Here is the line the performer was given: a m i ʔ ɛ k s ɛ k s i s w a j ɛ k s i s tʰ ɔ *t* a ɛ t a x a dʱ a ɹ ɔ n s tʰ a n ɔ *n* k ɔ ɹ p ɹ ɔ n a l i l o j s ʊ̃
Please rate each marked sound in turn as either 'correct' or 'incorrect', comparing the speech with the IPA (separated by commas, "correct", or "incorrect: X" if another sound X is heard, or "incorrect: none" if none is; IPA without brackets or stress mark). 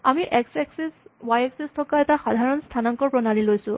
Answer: incorrect: k, incorrect: ŋ